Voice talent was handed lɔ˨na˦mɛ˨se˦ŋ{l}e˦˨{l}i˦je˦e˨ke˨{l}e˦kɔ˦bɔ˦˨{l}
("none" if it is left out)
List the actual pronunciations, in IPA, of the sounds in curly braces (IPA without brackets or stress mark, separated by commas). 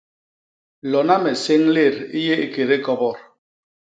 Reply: l, ɾ, ɾ, ɾ